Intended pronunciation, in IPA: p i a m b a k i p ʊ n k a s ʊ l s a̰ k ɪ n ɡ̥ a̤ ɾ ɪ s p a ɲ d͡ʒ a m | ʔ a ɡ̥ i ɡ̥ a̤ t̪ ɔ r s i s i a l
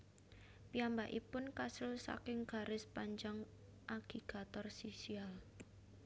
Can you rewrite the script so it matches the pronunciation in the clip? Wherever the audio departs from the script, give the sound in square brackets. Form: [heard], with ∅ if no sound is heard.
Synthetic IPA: p i a m b a [ʔ] i p ʊ n k a s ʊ l s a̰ k ɪ [ŋ] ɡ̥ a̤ ɾ ɪ s p a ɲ d͡ʒ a [ŋ] | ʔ a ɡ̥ i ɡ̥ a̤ t̪ ɔ r s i s i a l